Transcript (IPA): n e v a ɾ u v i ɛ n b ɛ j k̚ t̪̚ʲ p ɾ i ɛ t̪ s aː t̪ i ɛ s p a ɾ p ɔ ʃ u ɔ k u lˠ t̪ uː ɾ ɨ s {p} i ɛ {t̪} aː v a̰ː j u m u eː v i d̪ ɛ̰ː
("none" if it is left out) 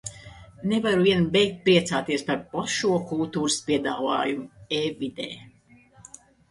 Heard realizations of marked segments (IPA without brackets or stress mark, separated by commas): p, d̪